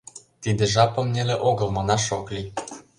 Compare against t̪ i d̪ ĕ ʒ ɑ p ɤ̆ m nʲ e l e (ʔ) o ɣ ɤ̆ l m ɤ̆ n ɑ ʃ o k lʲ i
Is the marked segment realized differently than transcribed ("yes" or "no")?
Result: no